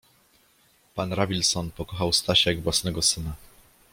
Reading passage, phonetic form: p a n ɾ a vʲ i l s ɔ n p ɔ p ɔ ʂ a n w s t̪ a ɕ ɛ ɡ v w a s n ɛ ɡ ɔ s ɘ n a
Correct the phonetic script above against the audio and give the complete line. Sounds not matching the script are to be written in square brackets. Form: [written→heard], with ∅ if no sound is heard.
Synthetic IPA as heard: p a n ɾ a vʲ i l s ɔ n p ɔ [p→k] ɔ [ʂ→x] a [n→∅] w s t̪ a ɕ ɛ ɡ v w a s n ɛ ɡ ɔ s ɘ n a